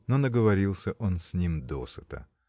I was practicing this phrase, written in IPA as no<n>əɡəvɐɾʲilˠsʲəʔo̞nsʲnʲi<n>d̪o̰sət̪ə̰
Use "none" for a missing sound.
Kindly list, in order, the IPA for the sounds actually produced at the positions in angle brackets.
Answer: n, m

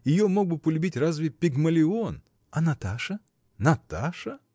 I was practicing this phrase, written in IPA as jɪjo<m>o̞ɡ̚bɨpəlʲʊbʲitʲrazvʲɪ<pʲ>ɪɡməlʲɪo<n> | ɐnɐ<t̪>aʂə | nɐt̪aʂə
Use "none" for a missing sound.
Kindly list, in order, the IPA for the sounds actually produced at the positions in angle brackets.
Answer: m, pʲ, n, t̪

